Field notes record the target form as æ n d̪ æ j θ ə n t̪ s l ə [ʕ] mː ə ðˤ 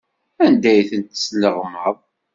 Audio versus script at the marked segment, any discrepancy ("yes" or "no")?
yes